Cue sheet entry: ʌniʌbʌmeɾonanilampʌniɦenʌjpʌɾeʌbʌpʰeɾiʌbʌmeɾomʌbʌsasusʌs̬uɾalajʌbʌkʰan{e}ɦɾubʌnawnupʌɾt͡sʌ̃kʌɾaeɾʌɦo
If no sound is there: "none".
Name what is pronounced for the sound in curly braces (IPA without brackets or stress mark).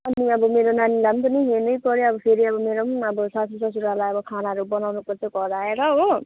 a